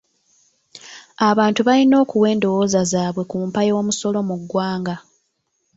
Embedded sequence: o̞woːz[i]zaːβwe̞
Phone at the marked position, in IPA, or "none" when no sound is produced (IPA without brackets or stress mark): a